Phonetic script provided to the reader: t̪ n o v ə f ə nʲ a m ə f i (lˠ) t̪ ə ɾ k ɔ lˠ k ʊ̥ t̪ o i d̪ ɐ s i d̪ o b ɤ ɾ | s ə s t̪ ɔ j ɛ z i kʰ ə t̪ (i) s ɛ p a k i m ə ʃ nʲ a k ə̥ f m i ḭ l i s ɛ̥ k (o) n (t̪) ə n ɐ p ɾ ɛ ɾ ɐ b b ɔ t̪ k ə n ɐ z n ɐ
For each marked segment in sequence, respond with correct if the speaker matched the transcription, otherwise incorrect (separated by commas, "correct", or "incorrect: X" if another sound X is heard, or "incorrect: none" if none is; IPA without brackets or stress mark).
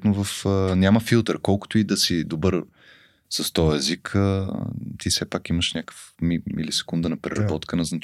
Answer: correct, correct, incorrect: u, incorrect: d̪